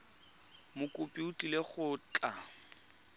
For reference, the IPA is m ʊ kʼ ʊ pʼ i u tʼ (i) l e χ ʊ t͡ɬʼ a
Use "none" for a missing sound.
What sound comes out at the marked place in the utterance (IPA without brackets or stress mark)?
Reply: i